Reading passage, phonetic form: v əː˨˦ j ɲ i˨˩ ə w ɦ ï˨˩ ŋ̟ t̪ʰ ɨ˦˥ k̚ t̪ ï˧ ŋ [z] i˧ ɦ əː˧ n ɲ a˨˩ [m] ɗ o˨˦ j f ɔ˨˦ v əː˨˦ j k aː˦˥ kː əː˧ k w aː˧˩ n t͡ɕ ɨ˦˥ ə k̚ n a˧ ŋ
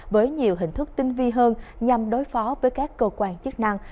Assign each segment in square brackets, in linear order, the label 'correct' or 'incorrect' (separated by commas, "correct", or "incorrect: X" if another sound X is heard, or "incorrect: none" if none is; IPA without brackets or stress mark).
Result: incorrect: v, correct